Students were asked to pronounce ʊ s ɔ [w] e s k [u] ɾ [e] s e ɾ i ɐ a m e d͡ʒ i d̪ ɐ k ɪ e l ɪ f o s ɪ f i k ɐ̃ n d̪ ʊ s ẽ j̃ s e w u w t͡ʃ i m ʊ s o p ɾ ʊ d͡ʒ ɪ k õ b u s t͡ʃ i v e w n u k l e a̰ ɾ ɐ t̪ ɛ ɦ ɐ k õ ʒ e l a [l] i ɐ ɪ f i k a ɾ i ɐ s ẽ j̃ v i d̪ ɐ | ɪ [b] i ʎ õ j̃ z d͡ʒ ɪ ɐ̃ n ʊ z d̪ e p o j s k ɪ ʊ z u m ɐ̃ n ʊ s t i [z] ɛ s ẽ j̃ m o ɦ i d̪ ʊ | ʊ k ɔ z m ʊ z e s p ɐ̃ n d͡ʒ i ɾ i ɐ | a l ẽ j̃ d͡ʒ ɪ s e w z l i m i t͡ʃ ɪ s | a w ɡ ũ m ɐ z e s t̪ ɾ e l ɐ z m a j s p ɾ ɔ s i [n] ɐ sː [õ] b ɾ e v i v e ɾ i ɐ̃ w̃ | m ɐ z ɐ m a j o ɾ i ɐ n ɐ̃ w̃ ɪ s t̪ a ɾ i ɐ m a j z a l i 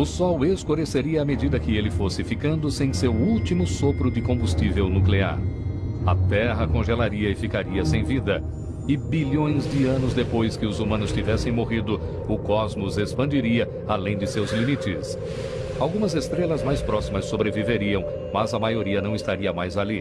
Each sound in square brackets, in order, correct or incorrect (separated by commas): correct, incorrect, correct, incorrect, correct, incorrect, incorrect, incorrect